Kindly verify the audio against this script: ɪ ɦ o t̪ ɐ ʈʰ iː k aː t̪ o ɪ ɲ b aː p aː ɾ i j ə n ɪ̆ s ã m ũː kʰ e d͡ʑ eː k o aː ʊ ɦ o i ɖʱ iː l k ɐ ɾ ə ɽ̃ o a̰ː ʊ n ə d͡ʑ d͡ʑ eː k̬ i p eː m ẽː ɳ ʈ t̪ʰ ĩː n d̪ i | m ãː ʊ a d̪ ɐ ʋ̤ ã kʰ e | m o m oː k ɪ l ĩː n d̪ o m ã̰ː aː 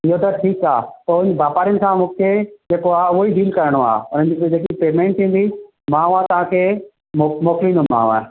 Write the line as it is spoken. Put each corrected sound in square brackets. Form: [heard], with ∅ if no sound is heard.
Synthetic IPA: ɪ ɦ o t̪ ɐ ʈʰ iː k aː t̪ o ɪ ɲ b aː p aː ɾ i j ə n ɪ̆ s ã m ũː kʰ e d͡ʑ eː k o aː ʊ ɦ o i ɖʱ iː l k ɐ ɾ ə ɽ̃ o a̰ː ʊ n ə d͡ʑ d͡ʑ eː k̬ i p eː m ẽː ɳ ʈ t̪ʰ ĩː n d̪ i | m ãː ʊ a [t̪] ɐ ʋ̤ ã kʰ e | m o m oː k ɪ l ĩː n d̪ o m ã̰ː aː

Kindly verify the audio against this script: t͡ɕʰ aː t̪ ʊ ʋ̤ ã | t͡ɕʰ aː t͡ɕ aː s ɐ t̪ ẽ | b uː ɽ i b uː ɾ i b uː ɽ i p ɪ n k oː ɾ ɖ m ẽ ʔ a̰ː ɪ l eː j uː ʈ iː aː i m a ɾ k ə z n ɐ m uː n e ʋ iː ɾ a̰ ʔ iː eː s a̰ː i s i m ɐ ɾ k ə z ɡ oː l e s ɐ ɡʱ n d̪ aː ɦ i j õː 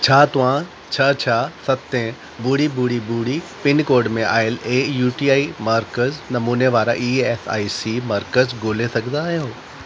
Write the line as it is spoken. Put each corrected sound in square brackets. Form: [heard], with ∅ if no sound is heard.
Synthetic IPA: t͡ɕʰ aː t̪ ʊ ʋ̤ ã | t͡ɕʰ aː [t͡ɕʰ] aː s ɐ t̪ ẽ | b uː ɽ i b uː [ɽ] i b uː ɽ i p ɪ n k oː ɾ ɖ m ẽ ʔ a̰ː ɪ l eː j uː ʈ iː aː i m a ɾ k ə z n ɐ m uː n e ʋ [aː] ɾ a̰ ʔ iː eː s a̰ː i s i m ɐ ɾ k ə z ɡ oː l e s ɐ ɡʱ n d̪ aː ɦ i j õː

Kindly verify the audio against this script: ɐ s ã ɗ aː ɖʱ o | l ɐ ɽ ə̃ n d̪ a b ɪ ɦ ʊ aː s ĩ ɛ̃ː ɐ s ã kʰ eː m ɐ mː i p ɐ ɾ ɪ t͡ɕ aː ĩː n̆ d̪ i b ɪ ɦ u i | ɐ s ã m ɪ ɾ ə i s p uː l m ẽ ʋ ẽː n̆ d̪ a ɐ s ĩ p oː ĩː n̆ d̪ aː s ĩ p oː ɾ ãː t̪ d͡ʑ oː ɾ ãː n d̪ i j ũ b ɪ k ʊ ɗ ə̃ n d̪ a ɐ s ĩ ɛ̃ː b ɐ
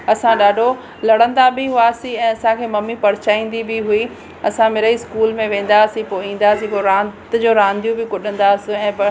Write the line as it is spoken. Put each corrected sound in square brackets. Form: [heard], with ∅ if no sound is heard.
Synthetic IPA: ɐ s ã ɗ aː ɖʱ o | l ɐ ɽ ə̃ n d̪ a b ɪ ɦ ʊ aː s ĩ ɛ̃ː ɐ s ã kʰ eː m ɐ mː i p ɐ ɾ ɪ t͡ɕ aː ĩː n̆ d̪ i b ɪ ɦ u i | ɐ s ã m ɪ ɾ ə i s [k] uː l m ẽ ʋ ẽː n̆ d̪ a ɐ s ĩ p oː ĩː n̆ d̪ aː s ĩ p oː ɾ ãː t̪ d͡ʑ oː ɾ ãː n d̪ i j ũ b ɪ k ʊ ɗ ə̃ n d̪ a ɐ s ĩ ɛ̃ː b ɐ

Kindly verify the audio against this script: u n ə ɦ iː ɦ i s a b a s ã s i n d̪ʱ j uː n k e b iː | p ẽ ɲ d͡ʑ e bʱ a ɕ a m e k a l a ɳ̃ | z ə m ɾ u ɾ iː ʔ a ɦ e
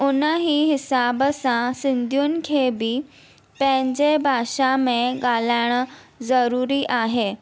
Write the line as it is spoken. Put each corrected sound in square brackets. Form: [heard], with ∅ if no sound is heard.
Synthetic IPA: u n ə ɦ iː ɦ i s a b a s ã s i n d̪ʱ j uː n [kʰ] e b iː | p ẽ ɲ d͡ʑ e bʱ a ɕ a m e [ɡ] a l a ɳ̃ | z ə [∅] ɾ u ɾ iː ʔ a ɦ e

